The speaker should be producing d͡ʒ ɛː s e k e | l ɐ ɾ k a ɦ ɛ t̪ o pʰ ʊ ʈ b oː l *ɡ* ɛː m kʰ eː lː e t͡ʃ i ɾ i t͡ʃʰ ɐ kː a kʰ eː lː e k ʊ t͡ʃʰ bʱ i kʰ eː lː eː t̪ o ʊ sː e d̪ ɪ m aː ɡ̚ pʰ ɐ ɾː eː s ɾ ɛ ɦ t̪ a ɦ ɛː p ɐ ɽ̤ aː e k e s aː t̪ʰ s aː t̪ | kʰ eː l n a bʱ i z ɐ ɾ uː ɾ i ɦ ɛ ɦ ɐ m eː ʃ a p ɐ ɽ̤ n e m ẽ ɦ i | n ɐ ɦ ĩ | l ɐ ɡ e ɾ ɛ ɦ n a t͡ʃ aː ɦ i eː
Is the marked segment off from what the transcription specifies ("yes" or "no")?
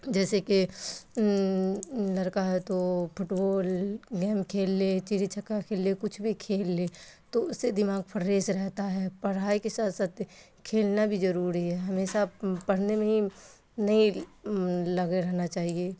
no